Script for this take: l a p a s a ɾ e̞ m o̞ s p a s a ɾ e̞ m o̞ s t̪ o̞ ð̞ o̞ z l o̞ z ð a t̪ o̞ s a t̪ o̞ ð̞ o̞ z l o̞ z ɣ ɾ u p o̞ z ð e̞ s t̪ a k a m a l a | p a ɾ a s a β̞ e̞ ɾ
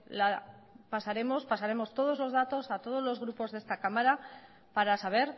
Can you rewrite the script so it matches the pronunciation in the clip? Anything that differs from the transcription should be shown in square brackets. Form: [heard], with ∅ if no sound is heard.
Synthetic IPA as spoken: l a p a s a ɾ e̞ m o̞ s p a s a ɾ e̞ m o̞ s t̪ o̞ ð̞ o̞ z l o̞ z ð a t̪ o̞ s a t̪ o̞ ð̞ o̞ z l o̞ z ɣ ɾ u p o̞ z ð e̞ s t̪ a k a m a [ɾ] a | p a ɾ a s a β̞ e̞ ɾ